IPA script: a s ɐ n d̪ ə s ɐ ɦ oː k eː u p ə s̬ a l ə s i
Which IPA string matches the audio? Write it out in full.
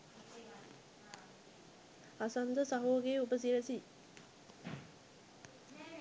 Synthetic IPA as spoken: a s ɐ n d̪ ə s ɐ ɦ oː ɡ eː u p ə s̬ i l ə s i

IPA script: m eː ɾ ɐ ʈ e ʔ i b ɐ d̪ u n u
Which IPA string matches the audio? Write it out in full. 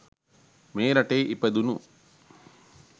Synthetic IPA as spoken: m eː ɾ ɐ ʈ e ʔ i p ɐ d̪ u n u

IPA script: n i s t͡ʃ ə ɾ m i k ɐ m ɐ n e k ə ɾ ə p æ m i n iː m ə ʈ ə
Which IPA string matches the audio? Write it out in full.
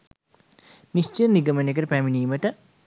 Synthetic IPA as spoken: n i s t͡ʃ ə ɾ n i ɡ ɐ m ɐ n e k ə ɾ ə p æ m i n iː m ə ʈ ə

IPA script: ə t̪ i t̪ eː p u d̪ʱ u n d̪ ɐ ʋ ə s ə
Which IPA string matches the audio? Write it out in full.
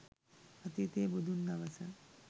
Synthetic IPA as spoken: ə t̪ i t̪ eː b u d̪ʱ u n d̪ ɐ ʋ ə s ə

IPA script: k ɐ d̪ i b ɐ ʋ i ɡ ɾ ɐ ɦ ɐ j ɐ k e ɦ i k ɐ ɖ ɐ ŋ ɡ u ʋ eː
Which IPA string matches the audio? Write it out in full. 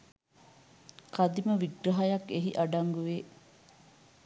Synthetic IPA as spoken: k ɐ d̪ i m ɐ ʋ i ɡ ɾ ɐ ɦ ɐ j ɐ k e ɦ i ʔ ɐ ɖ ɐ ŋ ɡ u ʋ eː

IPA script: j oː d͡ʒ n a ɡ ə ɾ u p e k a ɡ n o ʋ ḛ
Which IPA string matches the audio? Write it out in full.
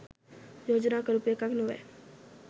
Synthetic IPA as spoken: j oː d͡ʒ n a k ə ɾ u p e k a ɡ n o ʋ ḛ

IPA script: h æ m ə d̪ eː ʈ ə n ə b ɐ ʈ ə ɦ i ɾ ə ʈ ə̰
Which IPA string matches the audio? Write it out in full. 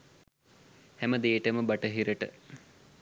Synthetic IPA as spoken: h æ m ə d̪ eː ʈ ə m ə b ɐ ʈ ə ɦ i ɾ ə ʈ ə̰

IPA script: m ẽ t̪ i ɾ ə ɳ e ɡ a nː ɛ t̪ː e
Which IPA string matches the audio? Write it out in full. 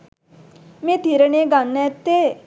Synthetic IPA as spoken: m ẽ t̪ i ɾ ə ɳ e ɡ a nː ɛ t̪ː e

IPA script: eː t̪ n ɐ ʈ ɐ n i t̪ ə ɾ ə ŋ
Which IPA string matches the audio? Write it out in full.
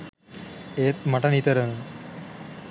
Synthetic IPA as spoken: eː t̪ m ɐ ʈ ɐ n i t̪ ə ɾ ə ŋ

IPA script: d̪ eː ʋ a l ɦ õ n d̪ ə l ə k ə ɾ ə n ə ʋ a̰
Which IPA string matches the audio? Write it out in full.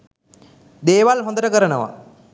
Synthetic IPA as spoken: d̪ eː ʋ a l ɦ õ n d̪ ə ɾ ə k ə ɾ ə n ə ʋ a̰

